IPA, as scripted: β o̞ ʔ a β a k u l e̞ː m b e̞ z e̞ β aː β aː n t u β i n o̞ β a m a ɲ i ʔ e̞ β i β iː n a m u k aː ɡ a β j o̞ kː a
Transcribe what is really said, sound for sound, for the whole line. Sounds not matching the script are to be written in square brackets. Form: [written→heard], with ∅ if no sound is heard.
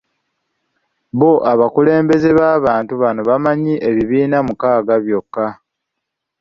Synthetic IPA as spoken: β o̞ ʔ a β a k u l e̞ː m b e̞ z e̞ β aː β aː n t u β [i→a] n o̞ β a m a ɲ i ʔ e̞ β i β iː n a m u k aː ɡ a β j o̞ kː a